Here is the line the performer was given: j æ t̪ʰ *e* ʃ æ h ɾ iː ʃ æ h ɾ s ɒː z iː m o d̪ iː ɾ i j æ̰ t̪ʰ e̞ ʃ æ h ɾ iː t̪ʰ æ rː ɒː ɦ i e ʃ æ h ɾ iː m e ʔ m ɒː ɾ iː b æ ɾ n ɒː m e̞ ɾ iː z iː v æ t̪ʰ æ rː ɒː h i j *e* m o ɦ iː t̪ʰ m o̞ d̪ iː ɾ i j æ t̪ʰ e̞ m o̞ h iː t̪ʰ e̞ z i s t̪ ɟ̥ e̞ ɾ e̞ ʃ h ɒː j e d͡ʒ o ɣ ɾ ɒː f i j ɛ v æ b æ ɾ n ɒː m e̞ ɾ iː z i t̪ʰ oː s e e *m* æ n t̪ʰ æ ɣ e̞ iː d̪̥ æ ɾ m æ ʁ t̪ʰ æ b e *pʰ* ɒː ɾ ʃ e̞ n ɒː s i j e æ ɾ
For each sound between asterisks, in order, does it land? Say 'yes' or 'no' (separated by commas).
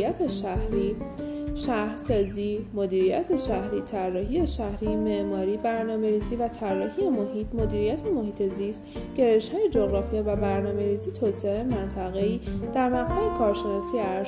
yes, yes, yes, no